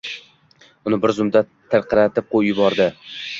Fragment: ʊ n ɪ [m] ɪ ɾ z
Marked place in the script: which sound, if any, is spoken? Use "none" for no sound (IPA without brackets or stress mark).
b